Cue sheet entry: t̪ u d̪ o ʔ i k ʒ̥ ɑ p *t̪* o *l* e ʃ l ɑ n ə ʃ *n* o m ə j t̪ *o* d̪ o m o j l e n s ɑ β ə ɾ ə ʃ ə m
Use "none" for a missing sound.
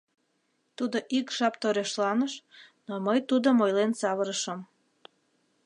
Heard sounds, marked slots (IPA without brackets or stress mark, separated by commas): t̪, ɾ, n, u